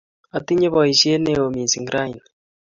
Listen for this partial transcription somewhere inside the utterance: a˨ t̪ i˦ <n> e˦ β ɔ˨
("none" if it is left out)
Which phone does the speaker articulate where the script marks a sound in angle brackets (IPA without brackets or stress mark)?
ɲ